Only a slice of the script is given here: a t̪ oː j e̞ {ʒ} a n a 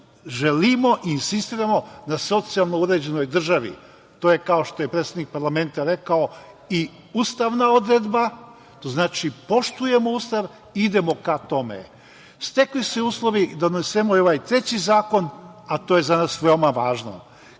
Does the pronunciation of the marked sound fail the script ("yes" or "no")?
yes